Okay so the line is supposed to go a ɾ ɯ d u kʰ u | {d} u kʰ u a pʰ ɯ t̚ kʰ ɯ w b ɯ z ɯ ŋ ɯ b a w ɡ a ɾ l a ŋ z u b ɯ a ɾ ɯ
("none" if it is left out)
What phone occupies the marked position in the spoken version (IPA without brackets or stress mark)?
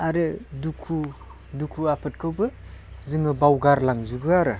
d